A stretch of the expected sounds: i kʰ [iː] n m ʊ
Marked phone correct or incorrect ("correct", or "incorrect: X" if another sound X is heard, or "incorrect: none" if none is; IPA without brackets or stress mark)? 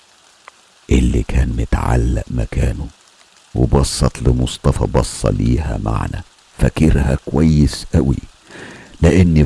incorrect: æː